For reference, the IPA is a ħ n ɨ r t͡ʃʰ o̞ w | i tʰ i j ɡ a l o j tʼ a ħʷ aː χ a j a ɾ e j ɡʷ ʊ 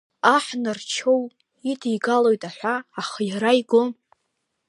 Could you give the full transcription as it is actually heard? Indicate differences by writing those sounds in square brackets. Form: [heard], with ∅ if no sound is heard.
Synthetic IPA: a ħ n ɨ r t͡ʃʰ o̞ w | i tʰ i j ɡ a l o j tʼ a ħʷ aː χ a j a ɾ [a] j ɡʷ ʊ